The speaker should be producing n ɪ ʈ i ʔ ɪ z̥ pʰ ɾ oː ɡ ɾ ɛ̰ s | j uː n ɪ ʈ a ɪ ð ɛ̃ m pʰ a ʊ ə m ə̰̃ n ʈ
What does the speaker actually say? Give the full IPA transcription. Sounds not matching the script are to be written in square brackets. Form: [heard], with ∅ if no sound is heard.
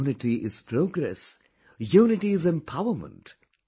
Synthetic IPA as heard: n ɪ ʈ i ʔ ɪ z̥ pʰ ɾ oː ɡ ɾ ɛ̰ s | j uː n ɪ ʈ [i] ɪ [z] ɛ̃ m pʰ a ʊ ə m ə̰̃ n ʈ

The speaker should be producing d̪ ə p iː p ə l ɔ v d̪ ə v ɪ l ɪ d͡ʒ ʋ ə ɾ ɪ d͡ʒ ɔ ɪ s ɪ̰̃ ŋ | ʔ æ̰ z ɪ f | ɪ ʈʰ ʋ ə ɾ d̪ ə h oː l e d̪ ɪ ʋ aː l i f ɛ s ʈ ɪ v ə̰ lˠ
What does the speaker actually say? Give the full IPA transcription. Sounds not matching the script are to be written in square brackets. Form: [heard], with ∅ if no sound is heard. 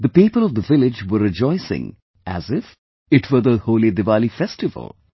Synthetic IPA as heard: d̪ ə p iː p ə l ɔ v d̪ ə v ɪ l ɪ d͡ʒ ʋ ə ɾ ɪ d͡ʒ ɔ ɪ s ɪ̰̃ ŋ | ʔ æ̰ z ɪ f | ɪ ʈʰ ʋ ə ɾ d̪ ə h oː l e d̪ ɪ ʋ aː l i f ɛ s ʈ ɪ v ə̰ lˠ

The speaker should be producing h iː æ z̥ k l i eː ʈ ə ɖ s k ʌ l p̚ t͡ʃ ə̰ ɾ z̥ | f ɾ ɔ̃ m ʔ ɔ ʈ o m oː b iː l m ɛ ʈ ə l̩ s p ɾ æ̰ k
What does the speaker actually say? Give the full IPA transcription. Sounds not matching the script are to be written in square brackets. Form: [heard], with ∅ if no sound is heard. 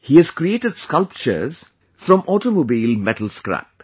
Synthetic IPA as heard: h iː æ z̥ k [ɾ] i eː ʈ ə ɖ s k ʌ l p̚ t͡ʃ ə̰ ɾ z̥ | f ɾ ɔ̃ m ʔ ɔ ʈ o m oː b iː l m ɛ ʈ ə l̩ s [k] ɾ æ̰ [p]

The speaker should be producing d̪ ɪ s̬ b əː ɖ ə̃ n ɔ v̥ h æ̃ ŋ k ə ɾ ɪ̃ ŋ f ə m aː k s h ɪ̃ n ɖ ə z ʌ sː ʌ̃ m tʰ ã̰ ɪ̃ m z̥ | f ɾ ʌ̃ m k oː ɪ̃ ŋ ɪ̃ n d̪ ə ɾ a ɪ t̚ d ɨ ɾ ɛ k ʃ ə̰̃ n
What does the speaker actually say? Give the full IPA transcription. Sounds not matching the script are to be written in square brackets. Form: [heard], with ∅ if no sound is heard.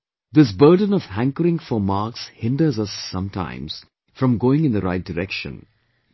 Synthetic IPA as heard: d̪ ɪ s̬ b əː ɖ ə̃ n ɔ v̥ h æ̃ ŋ k ə ɾ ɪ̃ ŋ f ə m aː k s h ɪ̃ n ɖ ə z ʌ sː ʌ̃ m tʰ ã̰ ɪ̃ m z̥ | f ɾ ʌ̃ m [ɡ] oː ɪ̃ ŋ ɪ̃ n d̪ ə ɾ a ɪ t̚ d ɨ ɾ ɛ k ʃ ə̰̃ n

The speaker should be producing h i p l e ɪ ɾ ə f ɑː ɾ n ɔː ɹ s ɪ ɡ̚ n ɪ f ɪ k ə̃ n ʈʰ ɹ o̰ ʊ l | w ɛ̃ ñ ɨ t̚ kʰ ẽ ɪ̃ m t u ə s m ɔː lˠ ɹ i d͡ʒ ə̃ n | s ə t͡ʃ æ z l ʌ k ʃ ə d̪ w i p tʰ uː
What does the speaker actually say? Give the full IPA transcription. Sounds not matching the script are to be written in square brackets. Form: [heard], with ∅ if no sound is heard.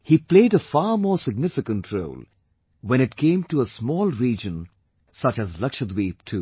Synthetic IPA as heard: h i p l e ɪ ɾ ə f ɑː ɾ [m] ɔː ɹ s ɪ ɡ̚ n ɪ f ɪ k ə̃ n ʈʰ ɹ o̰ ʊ l | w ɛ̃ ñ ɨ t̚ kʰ ẽ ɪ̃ m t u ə s m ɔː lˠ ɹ i d͡ʒ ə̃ n | s [ʌ] t͡ʃ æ z l ʌ k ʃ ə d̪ w i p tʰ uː

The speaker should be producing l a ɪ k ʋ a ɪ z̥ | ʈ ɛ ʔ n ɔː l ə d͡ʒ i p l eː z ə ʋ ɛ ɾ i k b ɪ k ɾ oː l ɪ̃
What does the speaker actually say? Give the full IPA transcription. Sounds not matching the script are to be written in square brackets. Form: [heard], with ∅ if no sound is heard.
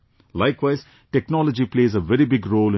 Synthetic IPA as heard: l a ɪ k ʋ a ɪ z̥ | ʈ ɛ [k] n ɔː l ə d͡ʒ i p l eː z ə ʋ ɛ ɾ i [∅] b ɪ [ɡ] ɾ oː l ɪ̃

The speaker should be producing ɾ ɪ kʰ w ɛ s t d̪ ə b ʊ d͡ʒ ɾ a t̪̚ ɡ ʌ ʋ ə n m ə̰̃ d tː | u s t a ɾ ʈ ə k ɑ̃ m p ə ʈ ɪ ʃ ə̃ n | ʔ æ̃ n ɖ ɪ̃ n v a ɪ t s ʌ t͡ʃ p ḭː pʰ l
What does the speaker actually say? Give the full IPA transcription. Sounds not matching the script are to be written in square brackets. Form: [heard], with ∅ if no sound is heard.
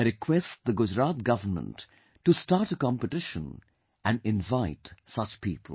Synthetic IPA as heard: ɾ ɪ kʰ w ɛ s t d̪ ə [ɡ] ʊ d͡ʒ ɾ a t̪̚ ɡ ʌ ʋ ə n m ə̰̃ [n] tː | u s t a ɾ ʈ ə k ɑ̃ m p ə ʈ ɪ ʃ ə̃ n | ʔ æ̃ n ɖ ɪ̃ n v a ɪ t s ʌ t͡ʃ p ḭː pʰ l

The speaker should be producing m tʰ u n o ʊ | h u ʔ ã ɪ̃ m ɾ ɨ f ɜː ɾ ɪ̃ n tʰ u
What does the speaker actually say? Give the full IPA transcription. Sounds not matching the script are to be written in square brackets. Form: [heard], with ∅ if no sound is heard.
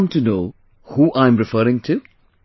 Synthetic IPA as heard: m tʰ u n o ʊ | h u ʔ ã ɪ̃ m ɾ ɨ f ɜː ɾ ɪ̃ [ŋ] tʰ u

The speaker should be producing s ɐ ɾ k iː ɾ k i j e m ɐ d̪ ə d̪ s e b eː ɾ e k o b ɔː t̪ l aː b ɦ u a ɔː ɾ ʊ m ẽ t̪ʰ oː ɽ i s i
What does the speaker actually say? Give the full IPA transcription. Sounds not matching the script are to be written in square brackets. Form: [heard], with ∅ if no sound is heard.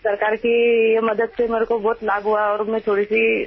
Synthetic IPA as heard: s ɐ ɾ k [aː] ɾ k i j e m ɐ d̪ ə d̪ s e [m] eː ɾ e k o b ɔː t̪ l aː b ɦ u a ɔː ɾ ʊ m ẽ t̪ʰ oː ɽ i s i

